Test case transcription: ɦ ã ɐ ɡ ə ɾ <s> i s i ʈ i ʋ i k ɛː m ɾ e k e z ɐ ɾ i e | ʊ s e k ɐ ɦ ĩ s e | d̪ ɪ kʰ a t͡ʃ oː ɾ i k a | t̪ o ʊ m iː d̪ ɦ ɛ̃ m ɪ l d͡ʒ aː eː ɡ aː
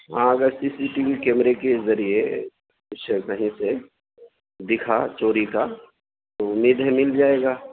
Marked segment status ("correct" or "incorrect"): correct